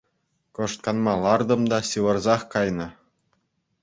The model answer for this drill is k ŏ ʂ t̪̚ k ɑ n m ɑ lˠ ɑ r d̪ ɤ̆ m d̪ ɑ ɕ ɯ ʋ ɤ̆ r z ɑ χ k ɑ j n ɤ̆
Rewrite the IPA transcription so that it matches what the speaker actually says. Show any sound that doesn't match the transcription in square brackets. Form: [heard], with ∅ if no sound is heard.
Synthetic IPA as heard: k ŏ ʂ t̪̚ k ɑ n m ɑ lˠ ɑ r d̪ ɤ̆ m d̪ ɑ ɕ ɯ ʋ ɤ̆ r z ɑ χ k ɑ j n ɤ̆